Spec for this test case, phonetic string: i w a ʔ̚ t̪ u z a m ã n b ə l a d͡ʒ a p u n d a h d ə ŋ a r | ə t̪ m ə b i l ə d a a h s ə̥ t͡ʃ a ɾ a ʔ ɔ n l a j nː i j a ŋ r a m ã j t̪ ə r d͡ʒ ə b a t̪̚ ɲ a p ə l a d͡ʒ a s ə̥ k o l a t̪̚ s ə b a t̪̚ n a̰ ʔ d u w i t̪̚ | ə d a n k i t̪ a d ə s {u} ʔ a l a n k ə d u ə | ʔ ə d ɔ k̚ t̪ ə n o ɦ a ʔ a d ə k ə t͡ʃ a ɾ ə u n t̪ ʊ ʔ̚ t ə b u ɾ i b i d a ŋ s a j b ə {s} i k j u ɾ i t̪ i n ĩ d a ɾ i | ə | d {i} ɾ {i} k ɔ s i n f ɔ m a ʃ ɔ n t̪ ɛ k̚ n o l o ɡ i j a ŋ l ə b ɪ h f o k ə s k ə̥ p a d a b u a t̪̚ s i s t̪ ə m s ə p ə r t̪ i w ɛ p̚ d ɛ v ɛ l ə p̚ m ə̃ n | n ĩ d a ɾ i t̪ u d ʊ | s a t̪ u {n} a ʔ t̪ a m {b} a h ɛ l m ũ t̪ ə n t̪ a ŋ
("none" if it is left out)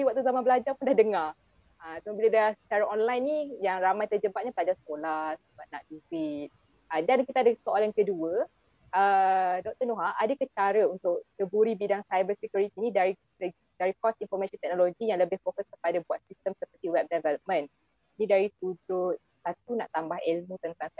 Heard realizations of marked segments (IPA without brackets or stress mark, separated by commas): o, s, a, i, n, b